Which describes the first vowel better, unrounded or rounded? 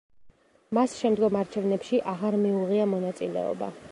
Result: unrounded